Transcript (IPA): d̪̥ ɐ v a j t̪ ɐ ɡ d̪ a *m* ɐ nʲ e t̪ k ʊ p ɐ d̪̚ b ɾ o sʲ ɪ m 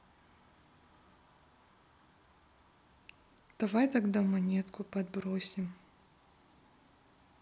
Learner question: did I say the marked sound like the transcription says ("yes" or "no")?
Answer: yes